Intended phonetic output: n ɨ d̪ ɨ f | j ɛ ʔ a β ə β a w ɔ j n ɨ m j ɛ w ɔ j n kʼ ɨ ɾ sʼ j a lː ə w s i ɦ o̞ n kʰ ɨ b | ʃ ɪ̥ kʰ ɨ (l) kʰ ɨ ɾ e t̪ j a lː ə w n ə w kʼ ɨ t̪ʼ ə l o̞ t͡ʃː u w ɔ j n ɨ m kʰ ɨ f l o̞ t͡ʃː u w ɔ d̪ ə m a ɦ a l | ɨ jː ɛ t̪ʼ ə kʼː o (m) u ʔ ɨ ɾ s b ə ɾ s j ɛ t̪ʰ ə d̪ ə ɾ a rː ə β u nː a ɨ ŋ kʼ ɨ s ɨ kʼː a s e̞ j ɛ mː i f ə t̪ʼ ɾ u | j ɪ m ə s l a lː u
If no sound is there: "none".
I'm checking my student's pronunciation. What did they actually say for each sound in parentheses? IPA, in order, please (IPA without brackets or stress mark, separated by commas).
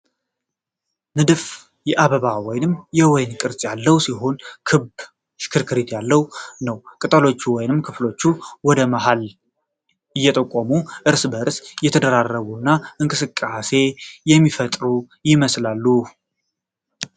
ɾ, m